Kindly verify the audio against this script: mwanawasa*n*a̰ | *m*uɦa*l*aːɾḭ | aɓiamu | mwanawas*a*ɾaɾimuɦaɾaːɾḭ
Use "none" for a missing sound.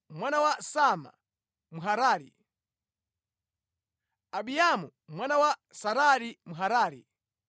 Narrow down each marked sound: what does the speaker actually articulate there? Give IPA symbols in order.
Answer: m, m, ɾ, a

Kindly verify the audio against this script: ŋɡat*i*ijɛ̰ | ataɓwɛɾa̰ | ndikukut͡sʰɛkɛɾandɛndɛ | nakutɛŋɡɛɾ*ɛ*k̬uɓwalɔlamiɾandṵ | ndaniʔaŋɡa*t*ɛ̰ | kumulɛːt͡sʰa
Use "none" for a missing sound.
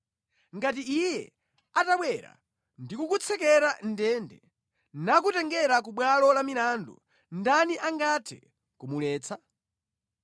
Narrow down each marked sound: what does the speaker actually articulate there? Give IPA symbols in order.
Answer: i, a, tʰ

